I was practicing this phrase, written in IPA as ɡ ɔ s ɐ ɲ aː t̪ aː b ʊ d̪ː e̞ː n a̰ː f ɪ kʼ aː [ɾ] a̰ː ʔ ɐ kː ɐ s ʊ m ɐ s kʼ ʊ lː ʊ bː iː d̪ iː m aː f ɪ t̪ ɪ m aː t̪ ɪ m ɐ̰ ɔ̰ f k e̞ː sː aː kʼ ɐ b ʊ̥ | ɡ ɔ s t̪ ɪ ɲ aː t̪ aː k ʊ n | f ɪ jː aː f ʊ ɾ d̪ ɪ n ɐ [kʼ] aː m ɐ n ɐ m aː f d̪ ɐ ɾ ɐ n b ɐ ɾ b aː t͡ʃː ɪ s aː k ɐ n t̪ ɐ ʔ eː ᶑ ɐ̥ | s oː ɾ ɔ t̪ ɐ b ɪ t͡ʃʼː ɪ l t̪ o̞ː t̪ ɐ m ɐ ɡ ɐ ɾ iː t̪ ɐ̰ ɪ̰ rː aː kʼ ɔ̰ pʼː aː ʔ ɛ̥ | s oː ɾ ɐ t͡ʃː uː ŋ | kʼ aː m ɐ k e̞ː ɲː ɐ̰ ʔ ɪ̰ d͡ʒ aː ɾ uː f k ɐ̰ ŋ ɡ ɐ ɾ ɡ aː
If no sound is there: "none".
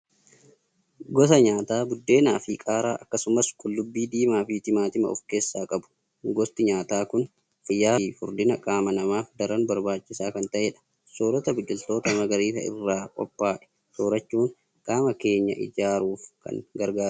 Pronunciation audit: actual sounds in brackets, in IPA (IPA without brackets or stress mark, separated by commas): ɾ, kʼ